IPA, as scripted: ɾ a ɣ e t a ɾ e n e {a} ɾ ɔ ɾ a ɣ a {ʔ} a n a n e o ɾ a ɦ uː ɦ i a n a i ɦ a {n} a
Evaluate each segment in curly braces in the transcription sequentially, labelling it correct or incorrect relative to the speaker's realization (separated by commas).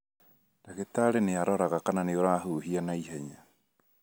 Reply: correct, incorrect, incorrect